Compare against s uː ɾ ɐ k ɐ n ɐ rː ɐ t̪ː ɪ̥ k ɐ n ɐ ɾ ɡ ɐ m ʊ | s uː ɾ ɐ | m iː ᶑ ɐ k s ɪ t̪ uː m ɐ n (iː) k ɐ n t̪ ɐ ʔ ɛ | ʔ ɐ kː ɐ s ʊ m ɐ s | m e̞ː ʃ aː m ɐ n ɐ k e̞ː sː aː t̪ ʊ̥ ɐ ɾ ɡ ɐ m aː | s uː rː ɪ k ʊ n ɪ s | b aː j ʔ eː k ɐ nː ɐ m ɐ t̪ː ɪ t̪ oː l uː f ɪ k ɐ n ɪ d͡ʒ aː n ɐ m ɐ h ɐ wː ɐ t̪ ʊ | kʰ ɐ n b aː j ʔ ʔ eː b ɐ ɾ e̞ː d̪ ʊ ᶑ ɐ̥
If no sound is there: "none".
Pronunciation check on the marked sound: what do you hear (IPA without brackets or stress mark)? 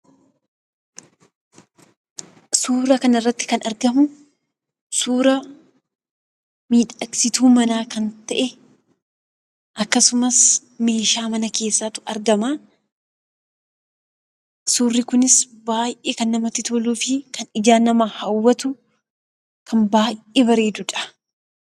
aː